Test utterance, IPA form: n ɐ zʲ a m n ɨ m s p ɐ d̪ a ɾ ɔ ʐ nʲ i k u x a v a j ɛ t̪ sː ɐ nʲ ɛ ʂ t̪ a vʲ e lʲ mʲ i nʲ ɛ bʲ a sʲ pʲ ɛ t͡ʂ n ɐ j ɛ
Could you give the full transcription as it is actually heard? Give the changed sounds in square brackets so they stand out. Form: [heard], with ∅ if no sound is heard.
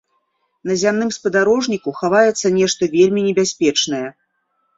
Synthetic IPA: n ɐ zʲ a m n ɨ m s p ɐ d̪ a ɾ ɔ ʐ nʲ i k u x a v a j ɛ t̪ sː ɐ nʲ ɛ ʂ t̪ [ɐ] vʲ e lʲ mʲ i nʲ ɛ bʲ a sʲ pʲ ɛ t͡ʂ n ɐ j ɛ

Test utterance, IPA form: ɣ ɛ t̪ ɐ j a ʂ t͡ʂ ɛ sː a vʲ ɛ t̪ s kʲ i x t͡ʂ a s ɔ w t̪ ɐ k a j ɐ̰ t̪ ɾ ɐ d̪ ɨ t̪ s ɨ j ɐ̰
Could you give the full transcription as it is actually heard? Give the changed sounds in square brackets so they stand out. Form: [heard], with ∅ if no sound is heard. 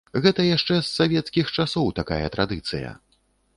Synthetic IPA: ɣ ɛ t̪ ɐ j a ʂ t͡ʂ ɛ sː a vʲ ɛ t̪ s kʲ i x t͡ʂ a s ɔ w t̪ [a] k a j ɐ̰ t̪ ɾ [a] d̪ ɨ t̪ s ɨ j ɐ̰

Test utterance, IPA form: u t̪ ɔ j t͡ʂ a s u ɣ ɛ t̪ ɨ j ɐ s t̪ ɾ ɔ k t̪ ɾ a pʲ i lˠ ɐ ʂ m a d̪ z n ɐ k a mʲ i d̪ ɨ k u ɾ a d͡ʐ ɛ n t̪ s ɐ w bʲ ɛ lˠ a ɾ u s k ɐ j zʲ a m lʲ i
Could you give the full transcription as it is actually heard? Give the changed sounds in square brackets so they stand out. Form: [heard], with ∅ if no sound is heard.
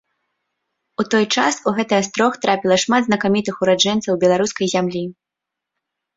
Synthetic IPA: u t̪ ɔ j t͡ʂ a s u ɣ ɛ t̪ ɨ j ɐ s t̪ ɾ ɔ [x] t̪ ɾ a pʲ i lˠ ɐ ʂ m a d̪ z n ɐ k a mʲ i [t̪] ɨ [x] u ɾ a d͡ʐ ɛ n t̪ s ɐ w bʲ ɛ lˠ a ɾ u s k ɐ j zʲ a m lʲ i

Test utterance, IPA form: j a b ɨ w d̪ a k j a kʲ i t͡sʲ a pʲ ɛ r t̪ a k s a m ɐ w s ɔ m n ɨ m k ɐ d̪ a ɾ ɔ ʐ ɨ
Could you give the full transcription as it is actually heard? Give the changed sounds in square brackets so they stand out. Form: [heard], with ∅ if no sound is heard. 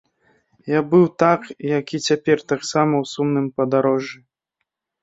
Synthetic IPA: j a b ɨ w [t̪] a k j a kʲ i t͡sʲ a pʲ ɛ r t̪ a k s a m ɐ w s [u] m n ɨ m [p] ɐ d̪ a ɾ ɔ ʐ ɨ

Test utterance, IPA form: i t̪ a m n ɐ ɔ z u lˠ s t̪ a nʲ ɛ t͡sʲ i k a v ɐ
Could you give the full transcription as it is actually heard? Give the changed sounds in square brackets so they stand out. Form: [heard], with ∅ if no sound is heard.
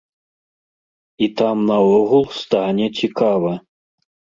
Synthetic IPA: i t̪ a m n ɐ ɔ [ɣ] u lˠ s t̪ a nʲ ɛ t͡sʲ i k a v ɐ

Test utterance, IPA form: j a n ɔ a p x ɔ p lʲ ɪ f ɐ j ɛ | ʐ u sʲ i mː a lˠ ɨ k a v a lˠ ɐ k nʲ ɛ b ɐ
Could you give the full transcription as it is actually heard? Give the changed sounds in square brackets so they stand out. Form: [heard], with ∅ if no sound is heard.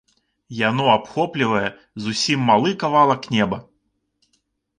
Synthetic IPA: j a n ɔ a p x ɔ p lʲ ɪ [v] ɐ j ɛ | [z] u sʲ i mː a lˠ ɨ k a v a lˠ ɐ k nʲ ɛ b ɐ

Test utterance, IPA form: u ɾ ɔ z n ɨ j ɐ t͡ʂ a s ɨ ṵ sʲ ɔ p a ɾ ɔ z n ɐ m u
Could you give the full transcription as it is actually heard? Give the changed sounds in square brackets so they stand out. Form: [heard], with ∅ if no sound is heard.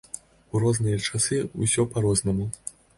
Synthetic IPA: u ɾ ɔ z n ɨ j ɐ t͡ʂ a s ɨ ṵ sʲ ɔ p a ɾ ɔ z n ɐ m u

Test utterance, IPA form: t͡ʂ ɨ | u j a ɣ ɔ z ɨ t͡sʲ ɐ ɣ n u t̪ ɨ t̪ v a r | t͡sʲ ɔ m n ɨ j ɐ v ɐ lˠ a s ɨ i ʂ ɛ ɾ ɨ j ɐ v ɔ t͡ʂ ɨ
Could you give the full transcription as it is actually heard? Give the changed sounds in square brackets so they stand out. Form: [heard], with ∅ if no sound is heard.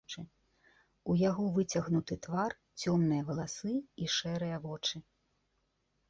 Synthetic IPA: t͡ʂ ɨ | u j a ɣ ɔ [v] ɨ t͡sʲ ɐ ɣ n u t̪ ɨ t̪ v a r | t͡sʲ ɔ m n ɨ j ɐ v ɐ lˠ a s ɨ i ʂ ɛ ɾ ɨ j ɐ v ɔ t͡ʂ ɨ

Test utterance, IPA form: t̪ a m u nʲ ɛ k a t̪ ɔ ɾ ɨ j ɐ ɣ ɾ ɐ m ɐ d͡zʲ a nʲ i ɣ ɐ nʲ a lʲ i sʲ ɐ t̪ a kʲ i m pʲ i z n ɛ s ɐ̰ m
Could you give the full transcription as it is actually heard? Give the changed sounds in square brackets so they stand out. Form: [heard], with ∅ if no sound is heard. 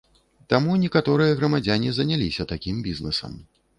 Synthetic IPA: t̪ a m u nʲ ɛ k a t̪ ɔ ɾ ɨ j ɐ ɣ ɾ ɐ m [a] d͡zʲ a nʲ i [z] ɐ nʲ a lʲ i sʲ ɐ t̪ a kʲ i m [bʲ] i z n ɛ s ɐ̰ m

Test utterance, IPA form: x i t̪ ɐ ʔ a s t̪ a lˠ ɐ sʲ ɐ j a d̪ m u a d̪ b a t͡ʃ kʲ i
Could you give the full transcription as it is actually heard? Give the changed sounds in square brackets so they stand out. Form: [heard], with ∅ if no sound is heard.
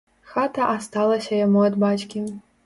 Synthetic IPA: x [a] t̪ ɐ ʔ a s t̪ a lˠ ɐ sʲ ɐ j a [∅] m u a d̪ b a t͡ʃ kʲ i

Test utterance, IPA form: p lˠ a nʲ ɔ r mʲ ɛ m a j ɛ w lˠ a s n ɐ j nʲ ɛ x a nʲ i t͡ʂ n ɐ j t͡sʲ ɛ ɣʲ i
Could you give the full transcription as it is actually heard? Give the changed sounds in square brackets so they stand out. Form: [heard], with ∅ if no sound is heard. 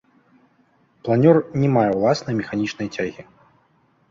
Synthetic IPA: p lˠ a nʲ ɔ r [nʲ] ɛ m a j ɛ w lˠ a s n ɐ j [mʲ] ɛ x a nʲ i t͡ʂ n ɐ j t͡sʲ [a] ɣʲ i

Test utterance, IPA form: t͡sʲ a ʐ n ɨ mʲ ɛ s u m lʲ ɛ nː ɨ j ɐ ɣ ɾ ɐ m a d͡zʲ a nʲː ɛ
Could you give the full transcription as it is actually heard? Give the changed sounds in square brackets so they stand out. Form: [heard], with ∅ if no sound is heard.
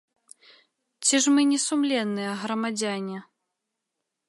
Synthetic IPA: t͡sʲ [i] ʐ [m] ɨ [nʲ] ɛ s u m lʲ ɛ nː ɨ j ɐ ɣ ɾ ɐ m a d͡zʲ a [nʲ] ɛ

